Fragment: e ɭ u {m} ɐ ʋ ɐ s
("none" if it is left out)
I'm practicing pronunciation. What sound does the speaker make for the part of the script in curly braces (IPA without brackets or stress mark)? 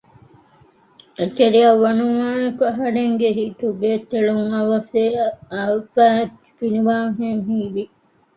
ŋ